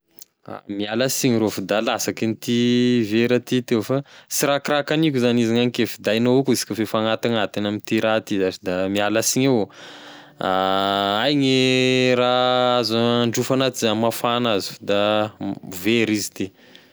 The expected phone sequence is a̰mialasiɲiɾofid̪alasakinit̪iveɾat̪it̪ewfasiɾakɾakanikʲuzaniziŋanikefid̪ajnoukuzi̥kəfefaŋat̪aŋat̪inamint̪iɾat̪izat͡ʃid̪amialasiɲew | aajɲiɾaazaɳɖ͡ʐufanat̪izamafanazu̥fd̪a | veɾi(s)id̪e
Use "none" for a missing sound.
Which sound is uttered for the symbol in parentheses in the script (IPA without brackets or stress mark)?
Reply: z